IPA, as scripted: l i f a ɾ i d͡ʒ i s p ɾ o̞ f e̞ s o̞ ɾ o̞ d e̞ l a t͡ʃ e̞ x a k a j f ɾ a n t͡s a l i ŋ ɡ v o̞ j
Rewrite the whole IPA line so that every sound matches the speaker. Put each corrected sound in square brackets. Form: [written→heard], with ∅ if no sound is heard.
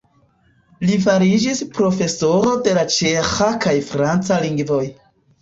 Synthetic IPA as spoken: l i f a ɾ i d͡ʒ i s p ɾ o̞ f e̞ s o̞ ɾ o̞ d e̞ l a t͡ʃ e̞ x a k a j f ɾ a n t͡s a l i ŋ ɡ v o̞ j